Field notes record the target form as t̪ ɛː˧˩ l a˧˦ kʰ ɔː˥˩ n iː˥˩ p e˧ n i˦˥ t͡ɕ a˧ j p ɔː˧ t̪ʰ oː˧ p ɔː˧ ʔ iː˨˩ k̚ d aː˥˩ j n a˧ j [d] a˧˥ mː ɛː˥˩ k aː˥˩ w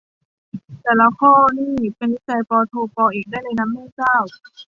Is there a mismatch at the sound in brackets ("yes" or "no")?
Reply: yes